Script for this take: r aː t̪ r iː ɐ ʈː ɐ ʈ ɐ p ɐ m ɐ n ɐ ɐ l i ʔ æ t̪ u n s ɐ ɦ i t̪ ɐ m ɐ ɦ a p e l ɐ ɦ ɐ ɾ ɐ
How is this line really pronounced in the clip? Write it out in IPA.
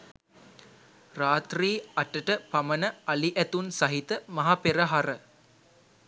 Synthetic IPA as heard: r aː t̪ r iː ɐ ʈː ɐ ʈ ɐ p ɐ m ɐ n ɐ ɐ l i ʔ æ t̪ u n s ɐ ɦ i t̪ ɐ m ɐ ɦ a p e ɾ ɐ ɦ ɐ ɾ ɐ